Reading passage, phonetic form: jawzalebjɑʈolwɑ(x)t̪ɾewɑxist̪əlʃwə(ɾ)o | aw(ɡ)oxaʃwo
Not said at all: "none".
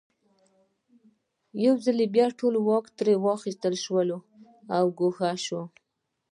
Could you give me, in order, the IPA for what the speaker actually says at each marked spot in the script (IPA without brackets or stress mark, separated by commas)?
k, l, ɡ